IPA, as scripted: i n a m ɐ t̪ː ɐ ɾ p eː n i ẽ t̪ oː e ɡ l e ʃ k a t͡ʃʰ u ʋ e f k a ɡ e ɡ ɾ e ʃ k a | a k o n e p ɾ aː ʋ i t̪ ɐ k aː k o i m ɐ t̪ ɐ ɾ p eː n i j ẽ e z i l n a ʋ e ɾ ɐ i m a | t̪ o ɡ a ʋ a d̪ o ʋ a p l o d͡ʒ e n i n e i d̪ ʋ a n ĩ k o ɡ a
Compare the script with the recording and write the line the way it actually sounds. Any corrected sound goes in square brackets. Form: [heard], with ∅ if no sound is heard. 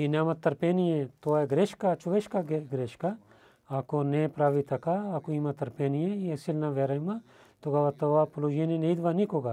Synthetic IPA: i n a m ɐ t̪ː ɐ ɾ p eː n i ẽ t̪ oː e ɡ [ɾ] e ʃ k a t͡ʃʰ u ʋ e [ʃ] k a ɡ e ɡ ɾ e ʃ k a | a k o n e p ɾ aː ʋ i t̪ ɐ k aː k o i m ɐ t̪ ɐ ɾ p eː n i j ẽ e [s] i l n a ʋ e ɾ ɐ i m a | t̪ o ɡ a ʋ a [t̪] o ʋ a p l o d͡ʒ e n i n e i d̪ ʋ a n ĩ k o ɡ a